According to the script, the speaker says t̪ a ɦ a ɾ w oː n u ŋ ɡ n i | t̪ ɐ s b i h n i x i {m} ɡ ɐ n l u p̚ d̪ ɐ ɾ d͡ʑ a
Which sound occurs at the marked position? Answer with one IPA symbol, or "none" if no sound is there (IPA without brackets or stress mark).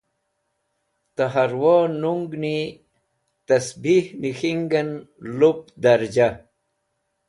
ŋ